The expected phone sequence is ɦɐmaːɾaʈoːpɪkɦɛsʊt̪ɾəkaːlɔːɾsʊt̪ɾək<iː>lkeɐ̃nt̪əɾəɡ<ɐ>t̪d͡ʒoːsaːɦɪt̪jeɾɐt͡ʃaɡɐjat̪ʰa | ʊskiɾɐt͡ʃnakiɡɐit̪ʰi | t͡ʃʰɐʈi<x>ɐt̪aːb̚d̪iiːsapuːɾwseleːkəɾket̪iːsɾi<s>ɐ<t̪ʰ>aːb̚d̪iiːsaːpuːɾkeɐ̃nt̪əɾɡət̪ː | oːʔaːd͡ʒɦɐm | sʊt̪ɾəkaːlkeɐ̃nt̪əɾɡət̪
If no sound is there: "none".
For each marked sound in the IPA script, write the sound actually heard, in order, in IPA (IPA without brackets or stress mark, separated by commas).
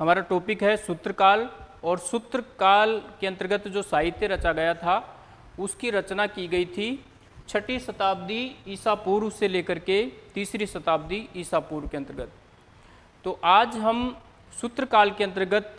aː, ə, s, s, t̪